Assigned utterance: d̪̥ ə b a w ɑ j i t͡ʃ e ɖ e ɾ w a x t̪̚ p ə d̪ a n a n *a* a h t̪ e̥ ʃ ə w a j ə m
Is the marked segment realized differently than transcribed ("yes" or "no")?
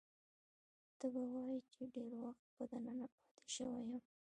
no